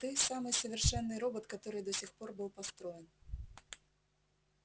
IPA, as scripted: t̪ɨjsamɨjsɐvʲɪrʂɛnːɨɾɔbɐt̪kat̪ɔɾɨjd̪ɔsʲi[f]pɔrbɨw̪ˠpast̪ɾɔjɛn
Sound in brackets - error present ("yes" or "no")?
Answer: yes